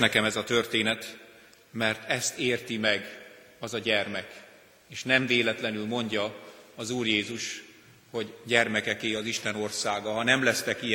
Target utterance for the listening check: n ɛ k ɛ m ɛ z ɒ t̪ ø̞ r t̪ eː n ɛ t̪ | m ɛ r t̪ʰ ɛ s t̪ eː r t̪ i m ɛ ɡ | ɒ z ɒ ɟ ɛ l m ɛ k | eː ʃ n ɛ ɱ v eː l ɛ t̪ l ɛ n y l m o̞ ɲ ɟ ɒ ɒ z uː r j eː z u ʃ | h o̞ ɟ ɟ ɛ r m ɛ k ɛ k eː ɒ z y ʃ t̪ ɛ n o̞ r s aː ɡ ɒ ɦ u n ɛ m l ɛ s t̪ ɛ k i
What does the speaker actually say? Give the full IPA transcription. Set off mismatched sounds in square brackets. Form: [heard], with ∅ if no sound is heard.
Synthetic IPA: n ɛ k ɛ m ɛ z ɒ t̪ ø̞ r t̪ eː n ɛ t̪ | m ɛ r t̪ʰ ɛ s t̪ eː r t̪ i m ɛ ɡ | ɒ z ɒ ɟ ɛ [r] m ɛ k | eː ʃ n ɛ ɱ v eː l ɛ t̪ l ɛ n y l m o̞ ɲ ɟ ɒ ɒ z uː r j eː z u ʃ | h o̞ ɟ ɟ ɛ r m ɛ k ɛ k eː ɒ z [i] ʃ t̪ ɛ n o̞ r s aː ɡ ɒ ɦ [ɒ] n ɛ m l ɛ s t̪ ɛ k i